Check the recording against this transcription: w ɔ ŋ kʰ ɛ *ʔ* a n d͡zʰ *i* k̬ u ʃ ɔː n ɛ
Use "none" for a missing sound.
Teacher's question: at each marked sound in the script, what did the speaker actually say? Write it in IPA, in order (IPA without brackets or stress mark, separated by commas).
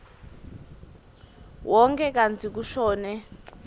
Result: k, i